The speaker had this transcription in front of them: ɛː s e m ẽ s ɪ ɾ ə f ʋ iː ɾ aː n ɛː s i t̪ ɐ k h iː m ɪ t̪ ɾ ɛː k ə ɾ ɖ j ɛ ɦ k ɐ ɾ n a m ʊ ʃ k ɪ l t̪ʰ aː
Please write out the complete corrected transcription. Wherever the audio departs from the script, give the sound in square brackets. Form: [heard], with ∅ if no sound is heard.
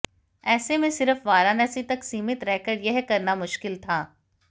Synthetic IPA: ɛː s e m ẽ s ɪ ɾ ə f ʋ [aː] ɾ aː n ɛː s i t̪ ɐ k [s] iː m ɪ t̪ ɾ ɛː k ə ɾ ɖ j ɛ ɦ k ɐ ɾ n a m ʊ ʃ k ɪ l t̪ʰ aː